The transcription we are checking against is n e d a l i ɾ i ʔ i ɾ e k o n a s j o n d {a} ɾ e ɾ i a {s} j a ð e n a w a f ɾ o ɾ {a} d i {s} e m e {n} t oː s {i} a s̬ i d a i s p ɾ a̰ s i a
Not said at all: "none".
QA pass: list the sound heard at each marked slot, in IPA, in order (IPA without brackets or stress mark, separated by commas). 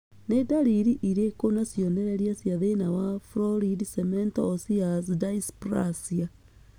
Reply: e, s, i, s, n, i